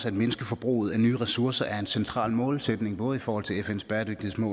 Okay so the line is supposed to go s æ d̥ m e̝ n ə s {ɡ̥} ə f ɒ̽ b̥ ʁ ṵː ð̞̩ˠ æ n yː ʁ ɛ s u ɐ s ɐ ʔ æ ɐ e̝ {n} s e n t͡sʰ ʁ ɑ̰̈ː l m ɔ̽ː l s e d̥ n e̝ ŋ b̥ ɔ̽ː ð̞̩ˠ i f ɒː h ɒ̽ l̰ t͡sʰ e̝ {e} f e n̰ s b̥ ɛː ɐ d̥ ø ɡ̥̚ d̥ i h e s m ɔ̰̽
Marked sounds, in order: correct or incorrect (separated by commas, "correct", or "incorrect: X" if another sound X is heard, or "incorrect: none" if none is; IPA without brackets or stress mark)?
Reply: correct, correct, correct